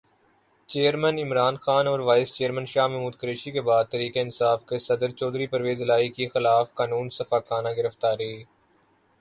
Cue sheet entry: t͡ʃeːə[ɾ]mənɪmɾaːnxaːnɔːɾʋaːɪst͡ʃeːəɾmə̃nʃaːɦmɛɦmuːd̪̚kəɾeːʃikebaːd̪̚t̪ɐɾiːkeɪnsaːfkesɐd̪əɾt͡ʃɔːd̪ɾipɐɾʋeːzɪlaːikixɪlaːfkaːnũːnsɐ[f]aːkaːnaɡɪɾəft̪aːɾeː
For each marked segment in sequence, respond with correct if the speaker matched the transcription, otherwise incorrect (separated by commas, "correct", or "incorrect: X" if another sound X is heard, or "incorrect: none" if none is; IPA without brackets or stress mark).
correct, correct